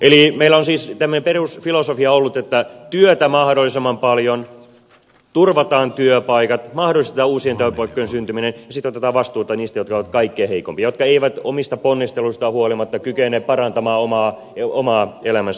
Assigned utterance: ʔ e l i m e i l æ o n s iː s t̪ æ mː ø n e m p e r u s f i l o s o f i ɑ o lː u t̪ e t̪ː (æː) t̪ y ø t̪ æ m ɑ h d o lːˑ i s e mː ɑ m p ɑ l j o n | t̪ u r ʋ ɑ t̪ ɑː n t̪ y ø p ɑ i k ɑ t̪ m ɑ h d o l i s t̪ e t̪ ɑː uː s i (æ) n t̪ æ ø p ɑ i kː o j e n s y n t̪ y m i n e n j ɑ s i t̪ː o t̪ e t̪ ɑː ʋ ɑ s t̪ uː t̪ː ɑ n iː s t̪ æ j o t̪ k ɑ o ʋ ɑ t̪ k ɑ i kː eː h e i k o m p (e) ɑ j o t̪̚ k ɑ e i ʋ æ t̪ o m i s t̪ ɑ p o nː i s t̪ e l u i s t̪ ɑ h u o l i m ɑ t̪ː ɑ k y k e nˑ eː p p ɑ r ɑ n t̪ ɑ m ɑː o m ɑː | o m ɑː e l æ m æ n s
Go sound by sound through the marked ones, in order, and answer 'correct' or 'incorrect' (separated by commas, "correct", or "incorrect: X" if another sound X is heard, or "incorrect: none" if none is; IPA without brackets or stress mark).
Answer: incorrect: æ, incorrect: e, incorrect: i